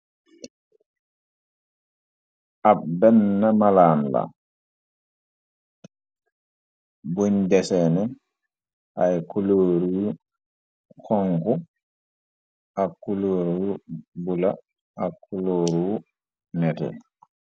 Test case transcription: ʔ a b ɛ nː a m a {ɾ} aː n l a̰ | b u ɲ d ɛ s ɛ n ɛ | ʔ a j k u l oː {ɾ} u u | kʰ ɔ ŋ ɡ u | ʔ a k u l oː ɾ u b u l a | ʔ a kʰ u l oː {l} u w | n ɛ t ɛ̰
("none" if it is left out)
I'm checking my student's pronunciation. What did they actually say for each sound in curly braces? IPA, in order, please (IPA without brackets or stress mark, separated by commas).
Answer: l, ɾ, ɾ